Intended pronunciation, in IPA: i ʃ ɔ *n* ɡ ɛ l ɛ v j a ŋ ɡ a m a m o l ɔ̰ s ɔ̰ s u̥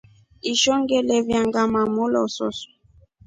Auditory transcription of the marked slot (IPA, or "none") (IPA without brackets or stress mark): ŋ